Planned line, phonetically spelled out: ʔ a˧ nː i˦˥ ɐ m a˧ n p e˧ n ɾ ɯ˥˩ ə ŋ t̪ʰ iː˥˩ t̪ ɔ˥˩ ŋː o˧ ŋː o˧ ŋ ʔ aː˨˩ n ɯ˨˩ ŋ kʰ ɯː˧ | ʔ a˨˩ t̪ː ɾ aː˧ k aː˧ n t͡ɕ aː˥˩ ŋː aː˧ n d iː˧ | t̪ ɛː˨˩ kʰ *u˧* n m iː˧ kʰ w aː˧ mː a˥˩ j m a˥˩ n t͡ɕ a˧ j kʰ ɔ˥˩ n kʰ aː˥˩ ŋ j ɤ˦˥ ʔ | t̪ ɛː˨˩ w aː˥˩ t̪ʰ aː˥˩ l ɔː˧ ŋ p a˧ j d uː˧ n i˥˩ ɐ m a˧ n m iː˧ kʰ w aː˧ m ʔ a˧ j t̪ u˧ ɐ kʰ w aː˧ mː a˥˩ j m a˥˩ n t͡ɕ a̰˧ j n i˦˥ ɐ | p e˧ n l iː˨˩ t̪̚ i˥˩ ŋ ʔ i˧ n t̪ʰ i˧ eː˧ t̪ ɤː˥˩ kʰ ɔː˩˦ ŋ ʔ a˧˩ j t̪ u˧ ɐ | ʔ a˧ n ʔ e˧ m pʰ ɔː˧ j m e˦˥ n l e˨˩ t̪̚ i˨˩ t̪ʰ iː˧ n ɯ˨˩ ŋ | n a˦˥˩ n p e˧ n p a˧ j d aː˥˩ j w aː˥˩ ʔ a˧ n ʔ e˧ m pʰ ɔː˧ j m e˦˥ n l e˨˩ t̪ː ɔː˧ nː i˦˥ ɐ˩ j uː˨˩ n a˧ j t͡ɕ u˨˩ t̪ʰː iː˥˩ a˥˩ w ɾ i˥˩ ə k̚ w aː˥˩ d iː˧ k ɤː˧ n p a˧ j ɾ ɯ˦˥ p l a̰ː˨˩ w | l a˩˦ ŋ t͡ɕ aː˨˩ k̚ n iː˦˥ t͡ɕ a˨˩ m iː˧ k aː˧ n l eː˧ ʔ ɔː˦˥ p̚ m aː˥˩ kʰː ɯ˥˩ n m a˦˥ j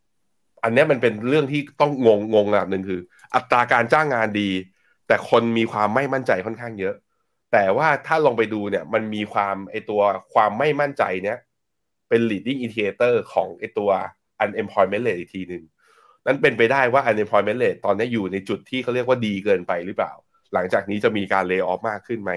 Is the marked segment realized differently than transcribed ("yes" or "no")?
yes